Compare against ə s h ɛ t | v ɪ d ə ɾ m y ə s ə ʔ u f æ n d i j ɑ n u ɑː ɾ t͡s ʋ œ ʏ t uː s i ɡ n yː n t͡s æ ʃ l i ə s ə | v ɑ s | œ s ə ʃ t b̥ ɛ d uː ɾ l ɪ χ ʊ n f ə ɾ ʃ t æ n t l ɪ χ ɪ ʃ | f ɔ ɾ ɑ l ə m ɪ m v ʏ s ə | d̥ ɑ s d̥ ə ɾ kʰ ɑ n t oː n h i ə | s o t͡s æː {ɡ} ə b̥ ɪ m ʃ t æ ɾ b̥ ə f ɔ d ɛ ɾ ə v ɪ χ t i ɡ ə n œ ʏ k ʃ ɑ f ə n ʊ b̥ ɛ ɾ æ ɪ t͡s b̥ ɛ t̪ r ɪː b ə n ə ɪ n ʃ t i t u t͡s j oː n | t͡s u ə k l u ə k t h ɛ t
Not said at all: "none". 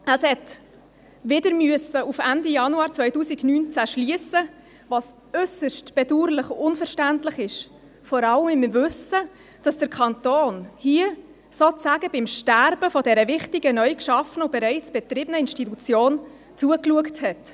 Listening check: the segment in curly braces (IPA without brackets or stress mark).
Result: ɡ